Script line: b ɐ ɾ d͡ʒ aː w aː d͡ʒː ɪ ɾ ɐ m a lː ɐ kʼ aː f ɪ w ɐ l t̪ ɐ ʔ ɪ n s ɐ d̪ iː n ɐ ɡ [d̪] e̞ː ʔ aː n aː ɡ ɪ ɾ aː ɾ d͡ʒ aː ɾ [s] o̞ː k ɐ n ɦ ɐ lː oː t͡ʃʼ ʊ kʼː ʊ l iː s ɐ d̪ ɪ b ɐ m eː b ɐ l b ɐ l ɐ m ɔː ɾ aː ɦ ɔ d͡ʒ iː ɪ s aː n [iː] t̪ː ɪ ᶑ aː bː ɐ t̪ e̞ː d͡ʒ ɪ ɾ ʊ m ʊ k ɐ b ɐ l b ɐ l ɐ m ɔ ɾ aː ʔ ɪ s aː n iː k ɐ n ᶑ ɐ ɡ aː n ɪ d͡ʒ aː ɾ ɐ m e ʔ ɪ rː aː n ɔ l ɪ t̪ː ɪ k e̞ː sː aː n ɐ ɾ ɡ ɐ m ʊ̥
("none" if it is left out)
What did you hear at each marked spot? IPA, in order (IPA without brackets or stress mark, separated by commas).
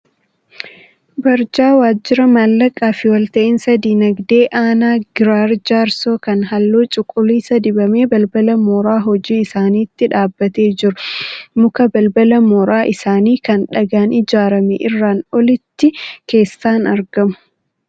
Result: d̪, s, iː